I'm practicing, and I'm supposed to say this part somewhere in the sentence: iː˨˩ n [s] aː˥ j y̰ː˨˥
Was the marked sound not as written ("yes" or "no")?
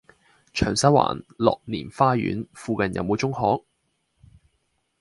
yes